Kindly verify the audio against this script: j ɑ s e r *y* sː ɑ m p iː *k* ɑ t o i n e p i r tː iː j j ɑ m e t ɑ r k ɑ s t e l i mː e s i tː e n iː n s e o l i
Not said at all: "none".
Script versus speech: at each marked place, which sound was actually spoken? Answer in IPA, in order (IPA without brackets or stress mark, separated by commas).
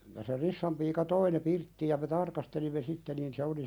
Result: i, k